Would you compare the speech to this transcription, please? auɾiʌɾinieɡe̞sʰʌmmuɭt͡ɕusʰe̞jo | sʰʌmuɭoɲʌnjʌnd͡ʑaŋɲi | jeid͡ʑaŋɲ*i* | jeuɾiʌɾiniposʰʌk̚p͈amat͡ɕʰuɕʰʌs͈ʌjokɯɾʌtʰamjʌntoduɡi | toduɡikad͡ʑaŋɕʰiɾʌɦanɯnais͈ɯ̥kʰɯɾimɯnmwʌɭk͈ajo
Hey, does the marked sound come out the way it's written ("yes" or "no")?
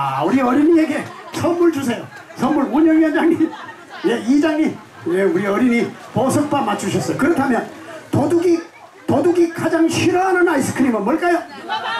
yes